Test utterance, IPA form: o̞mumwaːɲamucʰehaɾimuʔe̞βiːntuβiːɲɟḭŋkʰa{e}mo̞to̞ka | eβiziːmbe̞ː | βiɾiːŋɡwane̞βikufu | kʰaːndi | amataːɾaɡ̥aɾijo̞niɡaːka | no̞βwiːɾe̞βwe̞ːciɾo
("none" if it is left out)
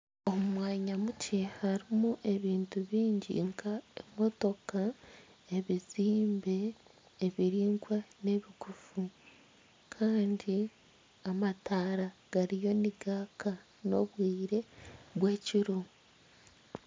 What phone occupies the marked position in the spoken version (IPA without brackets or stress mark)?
e